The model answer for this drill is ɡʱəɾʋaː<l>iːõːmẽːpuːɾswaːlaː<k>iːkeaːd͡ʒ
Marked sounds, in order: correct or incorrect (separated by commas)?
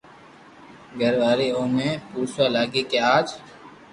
incorrect, incorrect